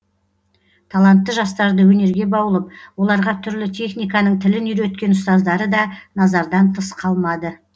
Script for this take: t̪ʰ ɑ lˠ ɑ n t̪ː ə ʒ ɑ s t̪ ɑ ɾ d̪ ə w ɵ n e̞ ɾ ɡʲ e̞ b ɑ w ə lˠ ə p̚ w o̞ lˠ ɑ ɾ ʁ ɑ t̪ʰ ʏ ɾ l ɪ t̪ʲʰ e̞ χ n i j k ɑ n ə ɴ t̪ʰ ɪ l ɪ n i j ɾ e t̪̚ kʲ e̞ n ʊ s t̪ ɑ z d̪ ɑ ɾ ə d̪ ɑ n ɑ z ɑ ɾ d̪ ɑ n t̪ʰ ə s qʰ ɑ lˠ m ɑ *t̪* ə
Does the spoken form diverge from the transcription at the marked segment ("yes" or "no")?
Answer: yes